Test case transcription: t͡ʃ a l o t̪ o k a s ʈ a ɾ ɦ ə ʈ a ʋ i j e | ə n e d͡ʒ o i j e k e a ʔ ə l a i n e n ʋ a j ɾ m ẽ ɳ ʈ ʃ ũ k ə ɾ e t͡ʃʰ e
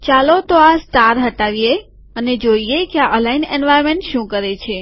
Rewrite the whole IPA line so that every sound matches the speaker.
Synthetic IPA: t͡ʃ a l o t̪ o a s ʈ a ɾ ɦ ə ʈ a ʋ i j e | ə n e d͡ʒ o i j e k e a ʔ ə l a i n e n ʋ a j ɾ m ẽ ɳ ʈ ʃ ũ k ə ɾ e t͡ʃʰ e